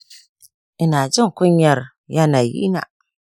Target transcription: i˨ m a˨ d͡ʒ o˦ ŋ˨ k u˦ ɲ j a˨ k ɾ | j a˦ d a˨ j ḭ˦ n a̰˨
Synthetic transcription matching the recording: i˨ n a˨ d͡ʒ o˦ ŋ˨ k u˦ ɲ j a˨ ɾ | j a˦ n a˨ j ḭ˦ n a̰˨